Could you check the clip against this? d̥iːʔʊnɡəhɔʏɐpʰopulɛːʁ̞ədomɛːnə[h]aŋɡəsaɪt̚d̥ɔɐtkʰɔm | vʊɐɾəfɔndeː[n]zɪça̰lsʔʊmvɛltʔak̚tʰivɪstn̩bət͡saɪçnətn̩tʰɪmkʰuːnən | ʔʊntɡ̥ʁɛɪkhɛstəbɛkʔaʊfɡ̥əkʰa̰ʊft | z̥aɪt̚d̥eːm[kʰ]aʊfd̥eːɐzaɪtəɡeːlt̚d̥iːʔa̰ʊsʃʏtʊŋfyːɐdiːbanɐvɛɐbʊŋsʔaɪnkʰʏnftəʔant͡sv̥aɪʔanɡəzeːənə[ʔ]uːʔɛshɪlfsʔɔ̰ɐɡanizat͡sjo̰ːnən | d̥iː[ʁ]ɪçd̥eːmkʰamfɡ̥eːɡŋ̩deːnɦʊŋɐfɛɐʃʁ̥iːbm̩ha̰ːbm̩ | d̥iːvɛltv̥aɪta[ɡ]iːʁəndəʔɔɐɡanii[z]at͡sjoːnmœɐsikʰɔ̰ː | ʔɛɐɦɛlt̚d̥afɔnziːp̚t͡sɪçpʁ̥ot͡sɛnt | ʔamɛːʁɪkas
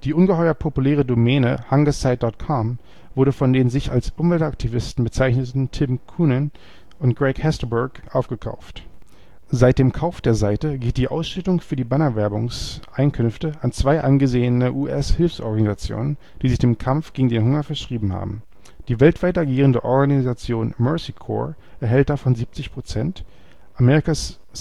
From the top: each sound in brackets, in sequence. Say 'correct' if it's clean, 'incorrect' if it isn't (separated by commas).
correct, correct, correct, correct, incorrect, correct, correct